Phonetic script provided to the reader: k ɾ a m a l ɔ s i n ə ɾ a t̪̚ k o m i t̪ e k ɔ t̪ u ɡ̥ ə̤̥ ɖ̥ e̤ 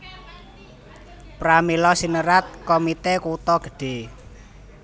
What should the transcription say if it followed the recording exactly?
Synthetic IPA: p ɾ a m i l ɔ s i n ə ɾ a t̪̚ k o m i t̪ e k u t̪ ɔ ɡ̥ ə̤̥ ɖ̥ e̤